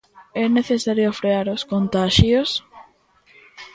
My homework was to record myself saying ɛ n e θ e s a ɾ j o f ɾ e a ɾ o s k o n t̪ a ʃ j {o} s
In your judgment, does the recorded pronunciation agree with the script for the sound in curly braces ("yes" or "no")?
yes